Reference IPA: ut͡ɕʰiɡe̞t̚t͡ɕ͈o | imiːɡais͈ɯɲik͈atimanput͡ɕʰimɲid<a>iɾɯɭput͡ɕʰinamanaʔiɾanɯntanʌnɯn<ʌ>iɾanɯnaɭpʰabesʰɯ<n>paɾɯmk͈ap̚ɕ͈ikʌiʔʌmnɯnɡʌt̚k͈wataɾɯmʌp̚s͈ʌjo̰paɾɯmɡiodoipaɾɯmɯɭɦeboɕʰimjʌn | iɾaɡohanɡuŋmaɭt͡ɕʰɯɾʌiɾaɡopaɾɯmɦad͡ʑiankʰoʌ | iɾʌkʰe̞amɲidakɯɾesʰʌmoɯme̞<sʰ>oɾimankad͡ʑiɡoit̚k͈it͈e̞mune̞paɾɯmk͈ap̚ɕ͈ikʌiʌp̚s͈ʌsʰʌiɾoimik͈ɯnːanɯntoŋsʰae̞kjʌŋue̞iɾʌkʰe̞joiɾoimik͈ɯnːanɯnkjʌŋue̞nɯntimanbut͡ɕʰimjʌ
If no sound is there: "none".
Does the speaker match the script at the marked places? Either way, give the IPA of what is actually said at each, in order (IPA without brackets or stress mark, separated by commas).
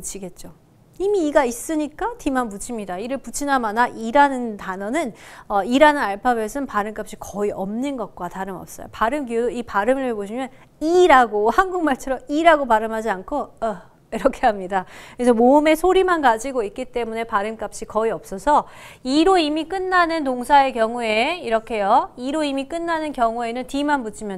a, ʌ, n, sʰ